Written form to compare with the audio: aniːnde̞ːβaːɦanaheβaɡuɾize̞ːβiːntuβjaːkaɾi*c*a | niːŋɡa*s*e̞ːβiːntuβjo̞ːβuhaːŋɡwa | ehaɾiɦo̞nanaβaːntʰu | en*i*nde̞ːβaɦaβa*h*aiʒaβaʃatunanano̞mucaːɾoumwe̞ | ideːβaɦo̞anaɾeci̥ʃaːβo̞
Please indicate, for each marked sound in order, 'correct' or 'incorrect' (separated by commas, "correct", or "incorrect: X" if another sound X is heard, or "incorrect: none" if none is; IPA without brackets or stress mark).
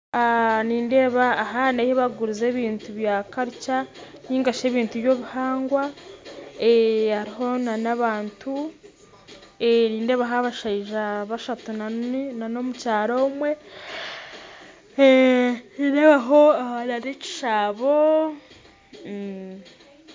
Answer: correct, incorrect: ʃ, incorrect: iː, incorrect: ʃ